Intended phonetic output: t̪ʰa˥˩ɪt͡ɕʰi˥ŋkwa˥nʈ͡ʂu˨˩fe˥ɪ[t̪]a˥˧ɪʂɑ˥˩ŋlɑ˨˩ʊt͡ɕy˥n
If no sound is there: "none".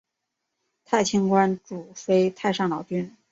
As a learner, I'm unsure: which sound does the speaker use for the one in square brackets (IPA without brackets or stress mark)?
t̪ʰ